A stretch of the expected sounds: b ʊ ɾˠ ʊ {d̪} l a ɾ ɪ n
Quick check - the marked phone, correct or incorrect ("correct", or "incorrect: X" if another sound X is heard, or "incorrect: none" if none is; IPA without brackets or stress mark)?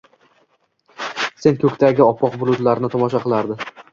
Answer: correct